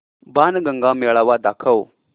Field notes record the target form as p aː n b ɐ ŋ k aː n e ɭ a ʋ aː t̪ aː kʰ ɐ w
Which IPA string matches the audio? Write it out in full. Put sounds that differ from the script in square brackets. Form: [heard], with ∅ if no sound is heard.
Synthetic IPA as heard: [b] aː n [ɡ] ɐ ŋ [ɡ] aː [m] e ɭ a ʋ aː [d̪] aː kʰ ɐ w